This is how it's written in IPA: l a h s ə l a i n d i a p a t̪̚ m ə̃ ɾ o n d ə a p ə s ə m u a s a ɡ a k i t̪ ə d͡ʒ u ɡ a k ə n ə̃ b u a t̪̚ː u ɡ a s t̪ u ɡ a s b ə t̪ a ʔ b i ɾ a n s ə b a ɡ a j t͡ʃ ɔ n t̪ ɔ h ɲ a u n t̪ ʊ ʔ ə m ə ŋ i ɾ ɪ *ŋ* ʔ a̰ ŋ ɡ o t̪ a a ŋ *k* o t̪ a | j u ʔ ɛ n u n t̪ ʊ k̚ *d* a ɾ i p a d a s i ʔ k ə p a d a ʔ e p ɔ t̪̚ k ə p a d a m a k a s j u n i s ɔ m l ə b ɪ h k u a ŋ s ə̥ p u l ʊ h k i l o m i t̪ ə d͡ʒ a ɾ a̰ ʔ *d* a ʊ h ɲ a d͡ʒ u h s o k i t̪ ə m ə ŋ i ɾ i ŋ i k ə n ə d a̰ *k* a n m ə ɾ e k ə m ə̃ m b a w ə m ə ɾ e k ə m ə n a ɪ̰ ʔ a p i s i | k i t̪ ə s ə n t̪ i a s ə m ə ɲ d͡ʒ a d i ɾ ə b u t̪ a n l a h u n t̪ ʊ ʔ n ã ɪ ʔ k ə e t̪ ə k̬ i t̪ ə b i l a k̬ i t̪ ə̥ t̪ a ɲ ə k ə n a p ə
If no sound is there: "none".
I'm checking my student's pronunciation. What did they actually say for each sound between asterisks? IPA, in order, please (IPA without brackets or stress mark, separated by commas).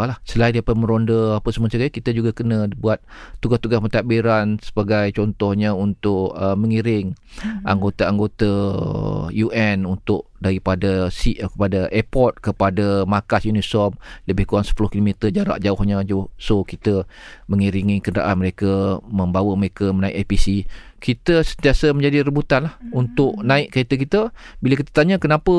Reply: ŋ, ɡ, d, d͡ʒ, ʔ